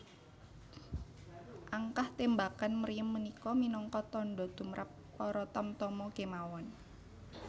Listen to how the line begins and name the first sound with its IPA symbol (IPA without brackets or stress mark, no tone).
ʔ